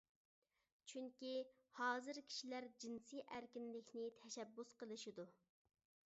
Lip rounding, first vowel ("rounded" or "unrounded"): rounded